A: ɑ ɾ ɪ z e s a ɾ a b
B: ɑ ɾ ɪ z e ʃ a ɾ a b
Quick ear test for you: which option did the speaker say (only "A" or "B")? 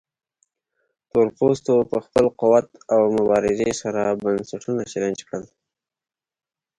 A